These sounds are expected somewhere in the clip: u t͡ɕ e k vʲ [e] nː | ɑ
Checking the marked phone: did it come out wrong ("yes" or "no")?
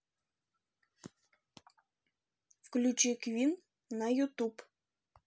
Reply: yes